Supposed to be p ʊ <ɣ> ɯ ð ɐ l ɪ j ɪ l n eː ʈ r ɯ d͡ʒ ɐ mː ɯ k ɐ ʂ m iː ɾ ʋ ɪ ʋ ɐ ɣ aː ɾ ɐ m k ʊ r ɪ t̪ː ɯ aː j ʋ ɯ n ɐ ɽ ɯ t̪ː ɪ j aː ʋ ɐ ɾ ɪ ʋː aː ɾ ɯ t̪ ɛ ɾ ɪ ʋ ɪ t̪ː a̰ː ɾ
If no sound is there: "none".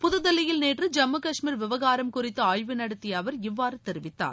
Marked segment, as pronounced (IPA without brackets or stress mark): ð